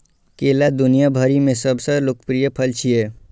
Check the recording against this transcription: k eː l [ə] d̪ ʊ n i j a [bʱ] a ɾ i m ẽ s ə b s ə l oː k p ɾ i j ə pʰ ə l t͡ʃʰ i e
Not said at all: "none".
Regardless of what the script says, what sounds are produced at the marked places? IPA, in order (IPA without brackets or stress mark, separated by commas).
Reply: a, bʱ